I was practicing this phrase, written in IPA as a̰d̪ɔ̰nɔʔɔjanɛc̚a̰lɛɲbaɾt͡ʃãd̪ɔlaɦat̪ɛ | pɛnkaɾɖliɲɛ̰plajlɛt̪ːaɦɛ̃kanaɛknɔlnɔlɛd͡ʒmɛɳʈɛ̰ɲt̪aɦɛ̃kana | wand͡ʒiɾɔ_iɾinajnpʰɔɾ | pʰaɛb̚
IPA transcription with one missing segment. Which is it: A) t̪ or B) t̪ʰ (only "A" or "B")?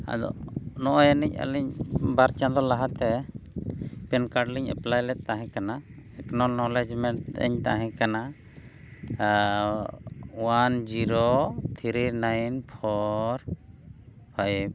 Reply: B